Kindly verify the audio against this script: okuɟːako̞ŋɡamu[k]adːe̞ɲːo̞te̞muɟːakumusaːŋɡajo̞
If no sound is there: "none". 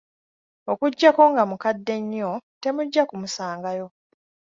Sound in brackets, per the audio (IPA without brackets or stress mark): k